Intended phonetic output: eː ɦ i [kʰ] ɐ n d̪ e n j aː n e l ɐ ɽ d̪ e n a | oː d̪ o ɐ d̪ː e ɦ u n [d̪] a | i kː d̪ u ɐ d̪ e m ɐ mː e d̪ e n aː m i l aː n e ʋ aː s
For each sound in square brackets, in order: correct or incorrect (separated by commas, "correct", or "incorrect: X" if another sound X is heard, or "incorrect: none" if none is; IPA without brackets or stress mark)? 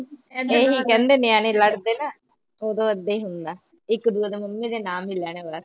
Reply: incorrect: k, correct